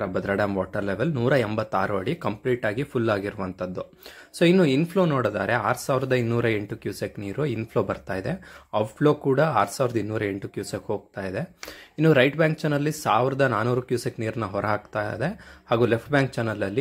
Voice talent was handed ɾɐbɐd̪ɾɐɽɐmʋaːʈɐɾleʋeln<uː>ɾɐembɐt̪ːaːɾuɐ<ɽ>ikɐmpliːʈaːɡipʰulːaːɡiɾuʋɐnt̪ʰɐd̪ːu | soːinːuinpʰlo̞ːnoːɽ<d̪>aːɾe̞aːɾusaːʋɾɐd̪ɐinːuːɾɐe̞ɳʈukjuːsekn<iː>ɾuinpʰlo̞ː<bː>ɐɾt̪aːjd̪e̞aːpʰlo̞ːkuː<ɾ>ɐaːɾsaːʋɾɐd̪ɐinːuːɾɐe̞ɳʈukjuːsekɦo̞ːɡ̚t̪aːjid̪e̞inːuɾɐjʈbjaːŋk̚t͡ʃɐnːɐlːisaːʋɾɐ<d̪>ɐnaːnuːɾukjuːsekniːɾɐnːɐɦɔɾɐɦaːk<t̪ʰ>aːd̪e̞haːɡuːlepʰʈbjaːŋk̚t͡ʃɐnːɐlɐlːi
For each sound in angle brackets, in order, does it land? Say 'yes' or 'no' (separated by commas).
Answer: yes, yes, yes, yes, no, no, yes, no